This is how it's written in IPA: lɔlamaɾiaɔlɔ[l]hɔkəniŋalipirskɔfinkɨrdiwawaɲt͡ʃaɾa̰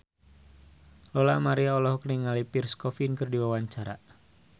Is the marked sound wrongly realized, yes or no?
yes